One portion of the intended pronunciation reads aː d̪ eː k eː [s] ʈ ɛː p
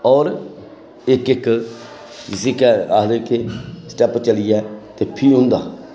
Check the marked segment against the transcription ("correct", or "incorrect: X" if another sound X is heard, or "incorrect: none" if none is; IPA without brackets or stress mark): correct